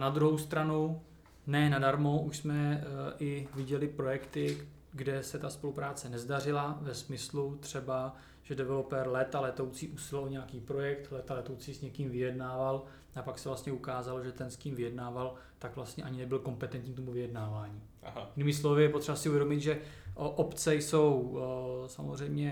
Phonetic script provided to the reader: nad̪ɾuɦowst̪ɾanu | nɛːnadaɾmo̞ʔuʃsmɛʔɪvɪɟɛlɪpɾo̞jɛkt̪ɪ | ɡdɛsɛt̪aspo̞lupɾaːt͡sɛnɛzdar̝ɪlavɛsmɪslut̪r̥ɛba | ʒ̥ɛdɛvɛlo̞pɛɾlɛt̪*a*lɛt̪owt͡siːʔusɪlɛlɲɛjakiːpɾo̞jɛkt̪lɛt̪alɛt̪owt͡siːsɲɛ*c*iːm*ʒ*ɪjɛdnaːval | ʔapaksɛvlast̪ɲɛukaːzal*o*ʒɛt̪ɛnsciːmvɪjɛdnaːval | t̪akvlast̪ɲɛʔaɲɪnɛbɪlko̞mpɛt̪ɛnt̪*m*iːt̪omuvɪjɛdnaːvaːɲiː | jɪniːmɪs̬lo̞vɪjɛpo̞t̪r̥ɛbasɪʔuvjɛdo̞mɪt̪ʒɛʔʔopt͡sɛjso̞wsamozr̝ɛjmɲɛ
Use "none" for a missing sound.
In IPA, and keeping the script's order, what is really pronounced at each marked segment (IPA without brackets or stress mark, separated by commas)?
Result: a, k, v, o, ɲ